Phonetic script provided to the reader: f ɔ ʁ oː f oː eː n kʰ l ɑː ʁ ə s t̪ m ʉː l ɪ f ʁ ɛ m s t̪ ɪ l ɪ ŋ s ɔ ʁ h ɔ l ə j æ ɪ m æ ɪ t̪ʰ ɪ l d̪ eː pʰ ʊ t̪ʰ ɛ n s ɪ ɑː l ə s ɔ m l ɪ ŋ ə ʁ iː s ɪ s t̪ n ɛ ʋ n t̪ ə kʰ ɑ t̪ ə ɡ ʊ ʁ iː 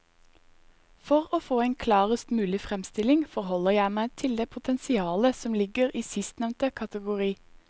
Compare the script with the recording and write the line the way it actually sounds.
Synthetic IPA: f ɔ ʁ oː f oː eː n kʰ l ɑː ʁ ə s t̪ m ʉː l ɪ f ʁ ɛ m s t̪ ɪ l ɪ ŋ f ɔ ʁ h ɔ l ə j æ ɪ m æ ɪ t̪ʰ ɪ l d̪ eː pʰ ʊ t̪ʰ ɛ n s ɪ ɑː l ə s ɔ m l ɪ ɡ ə ʁ iː s ɪ s t̪ n ɛ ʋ n t̪ ə kʰ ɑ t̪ ə ɡ ʊ ʁ iː